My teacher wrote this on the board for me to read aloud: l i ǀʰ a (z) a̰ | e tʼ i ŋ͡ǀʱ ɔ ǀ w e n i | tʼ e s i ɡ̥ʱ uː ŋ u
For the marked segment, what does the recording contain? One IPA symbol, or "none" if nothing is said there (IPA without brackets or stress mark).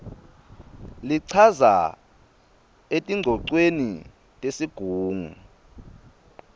z